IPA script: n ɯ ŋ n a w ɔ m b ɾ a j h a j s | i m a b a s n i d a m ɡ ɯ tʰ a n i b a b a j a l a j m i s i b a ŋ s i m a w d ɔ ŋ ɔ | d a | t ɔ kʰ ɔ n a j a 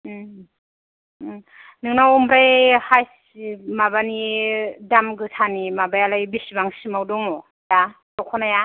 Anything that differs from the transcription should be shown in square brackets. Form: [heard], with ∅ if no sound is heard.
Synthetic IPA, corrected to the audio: n ɯ ŋ n a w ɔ m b ɾ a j h a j s | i m a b a [∅] n i d a m ɡ ɯ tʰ a n i [m] a b a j a l a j [b] i s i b a ŋ s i m a w d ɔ ŋ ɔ | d a | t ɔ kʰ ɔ n a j a